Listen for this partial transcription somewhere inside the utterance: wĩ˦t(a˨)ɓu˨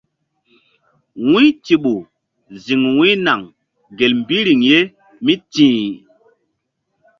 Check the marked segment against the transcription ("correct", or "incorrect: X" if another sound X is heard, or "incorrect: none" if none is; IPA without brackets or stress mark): incorrect: i˨